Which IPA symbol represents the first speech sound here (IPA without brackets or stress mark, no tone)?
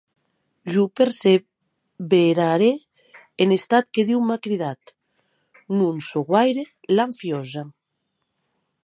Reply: ʒ